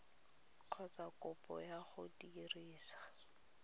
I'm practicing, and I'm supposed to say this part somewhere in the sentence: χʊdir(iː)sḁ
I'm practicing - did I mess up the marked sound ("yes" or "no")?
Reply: no